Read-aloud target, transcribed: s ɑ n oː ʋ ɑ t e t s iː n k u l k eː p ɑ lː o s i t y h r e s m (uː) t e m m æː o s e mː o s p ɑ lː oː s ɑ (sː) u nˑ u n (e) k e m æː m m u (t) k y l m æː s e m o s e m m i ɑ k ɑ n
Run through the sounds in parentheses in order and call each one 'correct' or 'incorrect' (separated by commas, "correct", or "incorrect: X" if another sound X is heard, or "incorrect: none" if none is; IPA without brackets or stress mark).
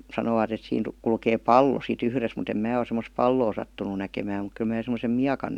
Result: incorrect: u, incorrect: tː, incorrect: æ, incorrect: k